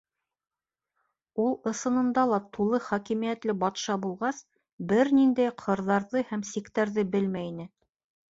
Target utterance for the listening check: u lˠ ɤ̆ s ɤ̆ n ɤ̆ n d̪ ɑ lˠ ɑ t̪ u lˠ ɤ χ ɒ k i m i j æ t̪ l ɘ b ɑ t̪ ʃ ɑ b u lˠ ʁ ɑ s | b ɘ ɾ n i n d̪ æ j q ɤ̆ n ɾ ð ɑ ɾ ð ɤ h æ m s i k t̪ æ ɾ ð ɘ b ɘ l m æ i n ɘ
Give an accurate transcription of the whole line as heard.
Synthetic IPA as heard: u lˠ ɤ̆ s ɤ̆ n ɤ̆ n d̪ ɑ lˠ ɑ t̪ u lˠ ɤ χ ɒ k i m i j æ t̪ l ɘ b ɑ t̪ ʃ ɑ b u lˠ ʁ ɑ s | b ɘ ɾ n i n d̪ æ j qʰ ɤ̆ ɾ ð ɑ ɾ ð ɤ h æ m s i k t̪ æ ɾ ð ɘ b ɘ l m æ i n ɘ